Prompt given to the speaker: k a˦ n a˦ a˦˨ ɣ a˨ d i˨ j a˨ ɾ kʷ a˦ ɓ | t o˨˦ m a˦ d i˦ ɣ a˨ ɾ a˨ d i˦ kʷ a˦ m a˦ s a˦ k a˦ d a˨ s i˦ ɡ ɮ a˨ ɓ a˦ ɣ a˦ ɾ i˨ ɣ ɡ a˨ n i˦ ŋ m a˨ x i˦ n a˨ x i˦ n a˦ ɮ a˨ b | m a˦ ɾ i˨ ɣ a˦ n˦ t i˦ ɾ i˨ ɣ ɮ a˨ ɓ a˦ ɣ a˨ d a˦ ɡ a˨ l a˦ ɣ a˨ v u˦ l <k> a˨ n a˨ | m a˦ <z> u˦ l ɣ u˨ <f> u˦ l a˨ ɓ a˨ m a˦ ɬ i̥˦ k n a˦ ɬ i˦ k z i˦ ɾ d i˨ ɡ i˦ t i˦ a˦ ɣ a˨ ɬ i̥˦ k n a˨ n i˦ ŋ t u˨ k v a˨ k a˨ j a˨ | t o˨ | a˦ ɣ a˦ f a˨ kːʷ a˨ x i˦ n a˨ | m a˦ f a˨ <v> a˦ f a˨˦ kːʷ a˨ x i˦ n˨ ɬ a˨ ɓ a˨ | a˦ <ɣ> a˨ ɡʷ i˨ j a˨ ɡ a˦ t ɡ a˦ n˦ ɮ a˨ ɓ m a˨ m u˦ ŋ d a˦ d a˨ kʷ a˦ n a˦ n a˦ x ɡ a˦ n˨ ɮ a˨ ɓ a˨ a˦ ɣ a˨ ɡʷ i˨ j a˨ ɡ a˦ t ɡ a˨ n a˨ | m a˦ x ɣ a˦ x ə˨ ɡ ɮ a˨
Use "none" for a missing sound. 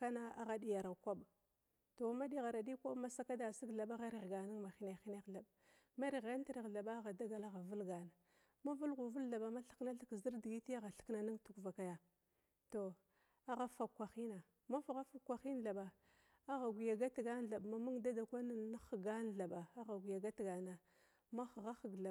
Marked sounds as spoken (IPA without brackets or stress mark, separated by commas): ɡ, v, v, ɣ, ɣ